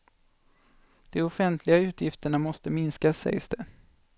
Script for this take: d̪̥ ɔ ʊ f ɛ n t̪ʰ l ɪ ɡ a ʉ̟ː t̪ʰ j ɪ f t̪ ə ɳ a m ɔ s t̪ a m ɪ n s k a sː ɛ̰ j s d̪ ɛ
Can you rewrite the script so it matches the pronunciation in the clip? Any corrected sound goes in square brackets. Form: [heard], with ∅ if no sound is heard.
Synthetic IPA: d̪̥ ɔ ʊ f ɛ n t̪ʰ l ɪ ɡ a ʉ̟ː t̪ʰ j ɪ f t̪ ə ɳ a m ɔ s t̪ [ə] m ɪ n s k a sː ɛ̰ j s d̪ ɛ